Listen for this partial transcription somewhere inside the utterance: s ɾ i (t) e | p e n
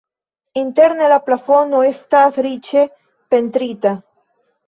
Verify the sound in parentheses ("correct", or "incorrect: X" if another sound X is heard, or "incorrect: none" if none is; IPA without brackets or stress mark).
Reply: incorrect: t͡ʃ